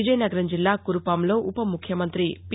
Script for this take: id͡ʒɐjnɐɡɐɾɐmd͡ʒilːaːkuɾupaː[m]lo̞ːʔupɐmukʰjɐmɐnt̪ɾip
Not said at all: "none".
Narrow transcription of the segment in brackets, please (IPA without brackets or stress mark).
m